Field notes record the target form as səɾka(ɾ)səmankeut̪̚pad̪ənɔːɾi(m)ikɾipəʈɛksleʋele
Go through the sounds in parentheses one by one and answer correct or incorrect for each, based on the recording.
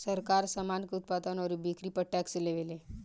correct, incorrect: b

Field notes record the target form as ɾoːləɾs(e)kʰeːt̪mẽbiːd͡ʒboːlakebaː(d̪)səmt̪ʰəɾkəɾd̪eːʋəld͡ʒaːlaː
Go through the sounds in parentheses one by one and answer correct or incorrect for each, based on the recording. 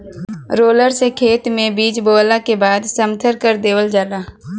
correct, correct

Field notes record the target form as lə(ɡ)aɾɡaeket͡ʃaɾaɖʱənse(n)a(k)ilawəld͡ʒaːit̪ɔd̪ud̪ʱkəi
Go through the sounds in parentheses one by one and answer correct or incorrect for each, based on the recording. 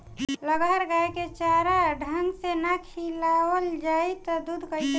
correct, correct, incorrect: kʰ

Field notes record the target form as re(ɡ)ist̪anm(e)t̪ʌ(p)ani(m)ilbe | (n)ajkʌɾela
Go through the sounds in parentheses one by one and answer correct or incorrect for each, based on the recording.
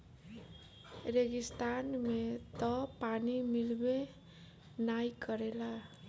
correct, correct, correct, correct, correct

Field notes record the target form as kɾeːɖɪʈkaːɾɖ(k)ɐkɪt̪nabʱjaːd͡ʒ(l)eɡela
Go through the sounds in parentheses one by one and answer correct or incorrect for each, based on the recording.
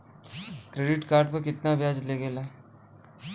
incorrect: p, correct

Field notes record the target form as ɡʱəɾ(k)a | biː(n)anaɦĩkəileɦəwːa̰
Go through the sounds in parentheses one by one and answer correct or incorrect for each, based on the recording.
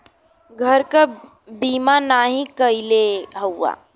correct, incorrect: m

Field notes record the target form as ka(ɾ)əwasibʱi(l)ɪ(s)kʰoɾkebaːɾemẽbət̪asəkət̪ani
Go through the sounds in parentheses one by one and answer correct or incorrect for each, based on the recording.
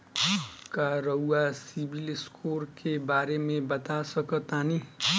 correct, correct, correct

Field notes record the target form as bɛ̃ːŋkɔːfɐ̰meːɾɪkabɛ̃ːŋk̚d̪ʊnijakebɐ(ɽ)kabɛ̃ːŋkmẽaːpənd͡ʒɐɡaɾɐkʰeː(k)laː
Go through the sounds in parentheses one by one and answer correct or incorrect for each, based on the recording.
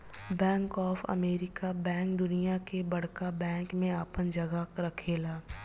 correct, incorrect: none

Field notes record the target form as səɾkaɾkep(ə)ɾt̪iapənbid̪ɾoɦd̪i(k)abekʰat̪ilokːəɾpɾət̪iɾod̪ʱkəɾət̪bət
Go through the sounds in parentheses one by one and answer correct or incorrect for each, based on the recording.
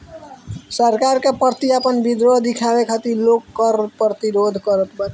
correct, incorrect: kʰ

